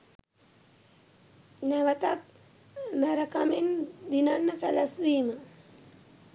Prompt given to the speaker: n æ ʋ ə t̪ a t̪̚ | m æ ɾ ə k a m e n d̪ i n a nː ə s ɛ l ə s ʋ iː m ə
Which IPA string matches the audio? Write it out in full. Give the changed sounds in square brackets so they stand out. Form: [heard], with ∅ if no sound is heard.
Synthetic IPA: n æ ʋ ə t̪ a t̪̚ | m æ ɾ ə k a m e n d̪ i n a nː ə s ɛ l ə s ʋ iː m ə